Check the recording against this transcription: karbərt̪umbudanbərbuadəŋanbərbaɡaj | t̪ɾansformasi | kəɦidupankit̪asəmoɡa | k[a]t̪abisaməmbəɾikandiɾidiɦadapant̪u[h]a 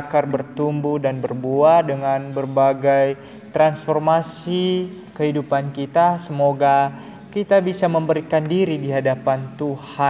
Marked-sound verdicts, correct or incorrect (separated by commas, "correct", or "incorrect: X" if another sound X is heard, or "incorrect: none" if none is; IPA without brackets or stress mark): incorrect: i, correct